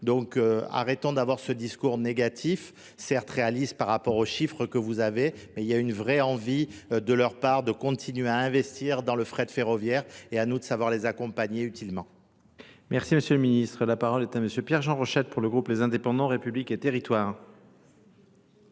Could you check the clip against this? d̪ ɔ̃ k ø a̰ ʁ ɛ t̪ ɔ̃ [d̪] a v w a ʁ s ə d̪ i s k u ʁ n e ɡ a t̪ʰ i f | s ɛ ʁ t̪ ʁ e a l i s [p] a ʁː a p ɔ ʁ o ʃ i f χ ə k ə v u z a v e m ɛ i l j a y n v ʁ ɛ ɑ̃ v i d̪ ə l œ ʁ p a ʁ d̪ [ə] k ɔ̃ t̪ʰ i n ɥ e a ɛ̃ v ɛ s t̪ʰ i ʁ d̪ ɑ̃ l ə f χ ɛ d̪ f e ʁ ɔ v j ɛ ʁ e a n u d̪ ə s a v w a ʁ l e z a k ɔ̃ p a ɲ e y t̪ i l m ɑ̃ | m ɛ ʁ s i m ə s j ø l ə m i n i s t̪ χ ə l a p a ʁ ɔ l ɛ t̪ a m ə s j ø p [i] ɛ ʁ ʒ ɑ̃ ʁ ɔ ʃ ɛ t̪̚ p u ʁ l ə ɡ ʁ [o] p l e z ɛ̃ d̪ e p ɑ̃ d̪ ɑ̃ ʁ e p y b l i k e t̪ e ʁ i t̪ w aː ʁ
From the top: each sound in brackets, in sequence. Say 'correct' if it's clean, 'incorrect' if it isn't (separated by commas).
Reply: correct, correct, correct, incorrect, incorrect